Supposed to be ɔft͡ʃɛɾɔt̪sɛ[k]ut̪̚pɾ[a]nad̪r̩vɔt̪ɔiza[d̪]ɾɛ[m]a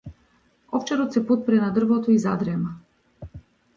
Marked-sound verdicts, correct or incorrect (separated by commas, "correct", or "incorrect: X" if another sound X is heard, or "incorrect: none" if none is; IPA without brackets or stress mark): incorrect: p, incorrect: ɛ, correct, correct